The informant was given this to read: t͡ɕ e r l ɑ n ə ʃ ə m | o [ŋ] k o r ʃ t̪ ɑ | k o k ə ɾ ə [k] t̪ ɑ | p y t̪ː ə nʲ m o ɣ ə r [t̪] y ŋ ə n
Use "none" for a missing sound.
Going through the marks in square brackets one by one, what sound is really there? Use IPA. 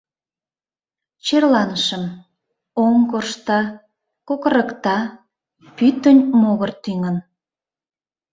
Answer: ŋ, k, t̪

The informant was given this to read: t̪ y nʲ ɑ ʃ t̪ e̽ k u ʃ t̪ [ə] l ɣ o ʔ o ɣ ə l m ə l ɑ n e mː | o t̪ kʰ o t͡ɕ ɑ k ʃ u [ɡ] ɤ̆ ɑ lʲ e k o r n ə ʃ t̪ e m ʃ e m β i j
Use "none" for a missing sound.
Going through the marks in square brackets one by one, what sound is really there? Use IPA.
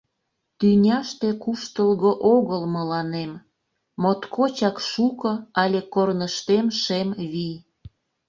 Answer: ə, k

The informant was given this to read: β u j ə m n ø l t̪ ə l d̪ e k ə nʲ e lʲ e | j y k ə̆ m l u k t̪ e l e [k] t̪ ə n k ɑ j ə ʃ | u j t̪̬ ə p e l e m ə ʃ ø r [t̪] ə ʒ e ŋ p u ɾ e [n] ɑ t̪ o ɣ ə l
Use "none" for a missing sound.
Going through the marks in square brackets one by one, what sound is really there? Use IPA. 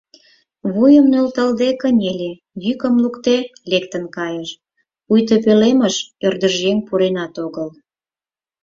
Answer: k, d̪, n

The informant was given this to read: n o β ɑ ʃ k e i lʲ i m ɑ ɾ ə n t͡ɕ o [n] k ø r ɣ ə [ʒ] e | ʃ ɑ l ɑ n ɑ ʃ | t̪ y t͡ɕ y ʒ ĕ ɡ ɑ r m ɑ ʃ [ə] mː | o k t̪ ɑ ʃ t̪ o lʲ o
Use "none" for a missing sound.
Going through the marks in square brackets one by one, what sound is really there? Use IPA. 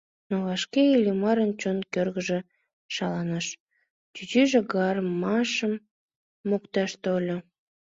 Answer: n, ʒ, ə

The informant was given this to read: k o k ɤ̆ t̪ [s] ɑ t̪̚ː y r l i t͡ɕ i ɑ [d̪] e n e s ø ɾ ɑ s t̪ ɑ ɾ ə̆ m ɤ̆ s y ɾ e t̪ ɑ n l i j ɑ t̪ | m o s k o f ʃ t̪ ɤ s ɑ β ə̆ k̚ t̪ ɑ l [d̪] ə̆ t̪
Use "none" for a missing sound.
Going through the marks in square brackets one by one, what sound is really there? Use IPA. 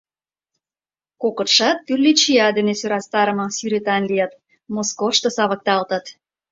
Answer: ʃ, d̪, t̪

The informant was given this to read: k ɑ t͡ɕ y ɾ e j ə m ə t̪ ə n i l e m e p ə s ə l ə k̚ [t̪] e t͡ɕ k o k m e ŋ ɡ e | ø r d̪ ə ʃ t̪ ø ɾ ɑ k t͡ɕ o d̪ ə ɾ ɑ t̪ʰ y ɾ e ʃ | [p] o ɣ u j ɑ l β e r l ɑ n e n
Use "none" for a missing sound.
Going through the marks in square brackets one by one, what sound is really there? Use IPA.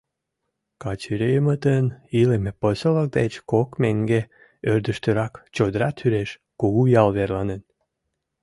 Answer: d̪, k

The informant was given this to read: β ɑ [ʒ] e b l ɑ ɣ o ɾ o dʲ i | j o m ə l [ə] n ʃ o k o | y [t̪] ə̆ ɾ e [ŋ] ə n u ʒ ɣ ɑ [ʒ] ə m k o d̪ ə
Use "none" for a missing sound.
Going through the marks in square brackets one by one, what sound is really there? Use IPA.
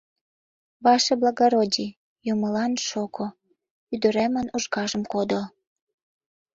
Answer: ʃ, ɑ, d̪, m, ʒ

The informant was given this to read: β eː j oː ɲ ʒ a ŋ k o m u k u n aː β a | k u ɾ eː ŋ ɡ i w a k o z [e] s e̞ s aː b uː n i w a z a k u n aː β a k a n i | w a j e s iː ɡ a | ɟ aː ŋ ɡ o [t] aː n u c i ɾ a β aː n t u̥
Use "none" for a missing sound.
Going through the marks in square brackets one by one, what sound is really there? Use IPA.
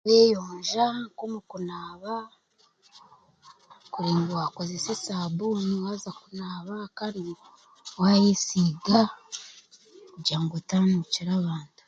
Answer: e, t

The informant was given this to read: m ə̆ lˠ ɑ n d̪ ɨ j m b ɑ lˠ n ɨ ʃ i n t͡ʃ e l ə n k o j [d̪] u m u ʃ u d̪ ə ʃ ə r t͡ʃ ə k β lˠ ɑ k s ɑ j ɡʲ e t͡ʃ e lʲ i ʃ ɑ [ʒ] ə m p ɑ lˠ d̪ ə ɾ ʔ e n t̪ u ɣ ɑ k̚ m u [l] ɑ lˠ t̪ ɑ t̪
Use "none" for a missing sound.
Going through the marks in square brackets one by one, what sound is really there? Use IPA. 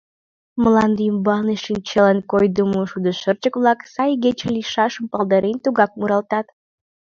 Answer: d̪, ʃ, ɾ

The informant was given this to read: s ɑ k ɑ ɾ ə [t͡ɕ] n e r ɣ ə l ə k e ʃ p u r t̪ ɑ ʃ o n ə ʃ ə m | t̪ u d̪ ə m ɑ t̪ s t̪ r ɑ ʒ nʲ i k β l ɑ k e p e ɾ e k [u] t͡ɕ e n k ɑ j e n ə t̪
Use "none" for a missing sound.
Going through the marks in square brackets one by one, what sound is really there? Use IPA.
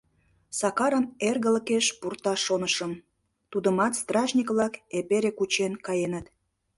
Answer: none, u

